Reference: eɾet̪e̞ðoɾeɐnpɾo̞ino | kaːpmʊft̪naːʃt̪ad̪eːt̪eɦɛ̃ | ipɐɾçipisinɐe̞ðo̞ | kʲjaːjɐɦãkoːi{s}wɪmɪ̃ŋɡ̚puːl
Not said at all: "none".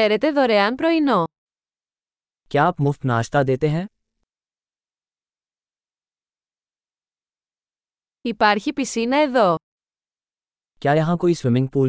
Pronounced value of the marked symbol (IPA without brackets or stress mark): s